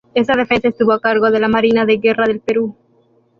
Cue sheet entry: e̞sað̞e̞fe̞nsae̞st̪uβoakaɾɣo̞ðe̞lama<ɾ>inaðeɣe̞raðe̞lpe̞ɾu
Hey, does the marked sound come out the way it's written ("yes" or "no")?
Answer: yes